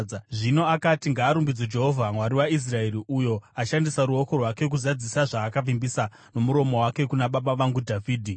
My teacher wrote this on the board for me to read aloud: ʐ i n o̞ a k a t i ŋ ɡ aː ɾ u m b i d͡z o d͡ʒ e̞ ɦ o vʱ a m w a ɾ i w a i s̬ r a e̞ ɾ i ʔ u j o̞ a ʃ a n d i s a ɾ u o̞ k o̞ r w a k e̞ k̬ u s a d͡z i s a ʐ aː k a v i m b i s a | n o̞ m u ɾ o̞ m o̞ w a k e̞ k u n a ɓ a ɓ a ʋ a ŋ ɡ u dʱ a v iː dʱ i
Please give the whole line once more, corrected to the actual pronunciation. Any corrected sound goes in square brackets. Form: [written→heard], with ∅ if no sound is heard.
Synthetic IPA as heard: ʐ i n o̞ a k a t i ŋ ɡ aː ɾ u m b i d͡z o d͡ʒ e̞ ɦ o vʱ a m w a ɾ i w a i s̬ r a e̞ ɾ i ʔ u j o̞ a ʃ a n d i s a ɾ u o̞ k o̞ r w a k e̞ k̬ u [s→z] a d͡z i s a ʐ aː k a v i m b i s a | n o̞ m u ɾ o̞ m o̞ w a k e̞ k u n a ɓ a ɓ a ʋ a ŋ ɡ u dʱ a v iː dʱ i